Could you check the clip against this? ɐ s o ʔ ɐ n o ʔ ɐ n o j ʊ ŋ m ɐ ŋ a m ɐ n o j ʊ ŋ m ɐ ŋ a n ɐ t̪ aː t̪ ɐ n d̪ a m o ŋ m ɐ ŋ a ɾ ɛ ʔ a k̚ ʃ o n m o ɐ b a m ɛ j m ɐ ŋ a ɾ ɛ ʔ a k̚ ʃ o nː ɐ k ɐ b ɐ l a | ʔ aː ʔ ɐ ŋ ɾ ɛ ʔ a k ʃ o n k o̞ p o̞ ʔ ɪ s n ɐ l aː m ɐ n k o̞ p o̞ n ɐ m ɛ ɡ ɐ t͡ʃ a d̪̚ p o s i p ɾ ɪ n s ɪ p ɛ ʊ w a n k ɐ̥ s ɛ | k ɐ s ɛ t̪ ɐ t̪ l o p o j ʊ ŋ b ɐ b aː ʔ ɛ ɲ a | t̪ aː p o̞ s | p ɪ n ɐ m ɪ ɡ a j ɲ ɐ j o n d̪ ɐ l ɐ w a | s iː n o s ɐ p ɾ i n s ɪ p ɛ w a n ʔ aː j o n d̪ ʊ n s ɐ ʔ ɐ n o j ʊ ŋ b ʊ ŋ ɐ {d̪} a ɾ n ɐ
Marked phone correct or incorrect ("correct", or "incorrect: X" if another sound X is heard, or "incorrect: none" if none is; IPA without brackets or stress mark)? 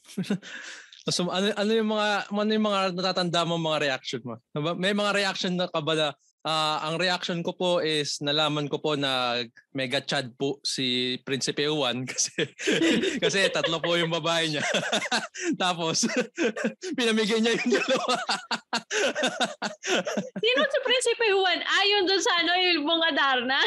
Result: correct